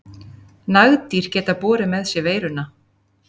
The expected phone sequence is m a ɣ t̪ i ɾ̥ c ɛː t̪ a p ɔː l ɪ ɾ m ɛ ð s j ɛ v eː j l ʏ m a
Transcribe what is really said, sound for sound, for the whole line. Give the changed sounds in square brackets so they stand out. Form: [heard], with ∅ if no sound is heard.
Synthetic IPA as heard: [n] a ɣ t̪ i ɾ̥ c ɛː t̪ a p ɔː [ɾ] ɪ [∅] m ɛ ð s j ɛ v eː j [ɾ] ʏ [n] a

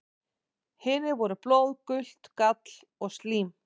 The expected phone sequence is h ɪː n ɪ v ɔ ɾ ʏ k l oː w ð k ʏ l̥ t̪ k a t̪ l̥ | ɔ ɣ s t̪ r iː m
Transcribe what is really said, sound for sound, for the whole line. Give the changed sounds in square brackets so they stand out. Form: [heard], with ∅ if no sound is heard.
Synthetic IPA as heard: h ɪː n ɪ v ɔ ɾ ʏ [p] l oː w ð k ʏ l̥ t̪ k a t̪ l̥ | ɔ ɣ s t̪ [l] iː m

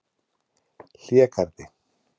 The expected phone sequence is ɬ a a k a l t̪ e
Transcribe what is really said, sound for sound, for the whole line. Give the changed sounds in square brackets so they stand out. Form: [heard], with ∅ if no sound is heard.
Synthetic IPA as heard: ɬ [i] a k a [ɾ] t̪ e

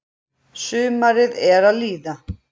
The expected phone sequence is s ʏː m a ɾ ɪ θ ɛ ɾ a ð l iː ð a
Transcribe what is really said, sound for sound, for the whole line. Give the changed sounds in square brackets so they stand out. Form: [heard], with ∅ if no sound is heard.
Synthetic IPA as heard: s ʏː m a ɾ ɪ [ð] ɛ ɾ a ð l iː ð a

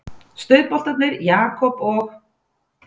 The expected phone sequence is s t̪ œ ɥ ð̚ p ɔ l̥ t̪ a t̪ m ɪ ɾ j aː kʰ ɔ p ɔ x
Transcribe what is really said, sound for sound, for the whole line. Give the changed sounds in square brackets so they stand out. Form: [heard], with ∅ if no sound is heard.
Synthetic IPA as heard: s t̪ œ ɥ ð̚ p ɔ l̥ t̪ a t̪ [n] ɪ ɾ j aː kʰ ɔ p ɔ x

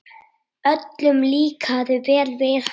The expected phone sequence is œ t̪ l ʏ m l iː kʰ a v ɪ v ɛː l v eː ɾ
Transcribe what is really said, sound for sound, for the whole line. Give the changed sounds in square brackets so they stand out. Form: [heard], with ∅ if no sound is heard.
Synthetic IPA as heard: œ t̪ l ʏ m l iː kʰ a [ð] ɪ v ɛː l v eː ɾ

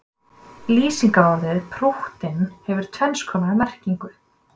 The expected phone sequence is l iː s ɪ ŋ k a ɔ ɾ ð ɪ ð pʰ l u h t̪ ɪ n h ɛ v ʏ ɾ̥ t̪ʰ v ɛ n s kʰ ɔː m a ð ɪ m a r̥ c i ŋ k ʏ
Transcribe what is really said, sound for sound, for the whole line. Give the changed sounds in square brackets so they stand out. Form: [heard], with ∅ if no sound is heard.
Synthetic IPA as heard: l iː s [i] ŋ k a ɔ ɾ ð ɪ ð pʰ [ɾ] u h t̪ ɪ n h ɛ v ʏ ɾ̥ t̪ʰ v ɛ n s kʰ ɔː m a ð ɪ m [ɛ] r̥ c i ŋ k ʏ

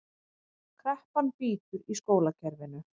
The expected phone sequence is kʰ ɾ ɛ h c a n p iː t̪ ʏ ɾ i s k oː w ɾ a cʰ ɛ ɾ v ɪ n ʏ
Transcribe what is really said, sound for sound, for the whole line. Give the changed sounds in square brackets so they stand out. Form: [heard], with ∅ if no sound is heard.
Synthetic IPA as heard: kʰ ɾ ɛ h [p] a n p iː t̪ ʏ ɾ i s k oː w [l] a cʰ ɛ ɾ v ɪ n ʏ

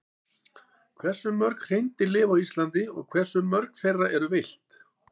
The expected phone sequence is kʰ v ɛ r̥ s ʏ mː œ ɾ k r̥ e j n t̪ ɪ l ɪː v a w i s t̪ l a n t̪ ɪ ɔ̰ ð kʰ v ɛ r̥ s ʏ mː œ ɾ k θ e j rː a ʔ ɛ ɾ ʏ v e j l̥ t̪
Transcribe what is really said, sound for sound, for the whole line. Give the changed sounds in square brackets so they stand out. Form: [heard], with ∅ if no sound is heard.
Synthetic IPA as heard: kʰ v ɛ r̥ s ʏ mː œ ɾ k r̥ e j n t̪ ɪ l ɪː v a w i s t̪ l a n t̪ ɪ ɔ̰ [ɣ] kʰ v ɛ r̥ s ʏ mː œ ɾ k θ e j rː a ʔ ɛ ɾ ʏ v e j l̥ t̪

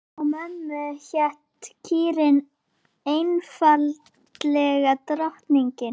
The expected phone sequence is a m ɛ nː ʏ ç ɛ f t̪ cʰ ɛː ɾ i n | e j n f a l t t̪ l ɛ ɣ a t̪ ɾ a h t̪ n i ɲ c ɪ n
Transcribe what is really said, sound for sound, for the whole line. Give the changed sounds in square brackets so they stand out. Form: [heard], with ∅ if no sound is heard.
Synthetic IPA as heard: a m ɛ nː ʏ ç ɛ [h] t̪ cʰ [iː] ɾ [ɪ] n | e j n f a l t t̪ l ɛ ɣ a t̪ ɾ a h t̪ n i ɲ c ɪ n

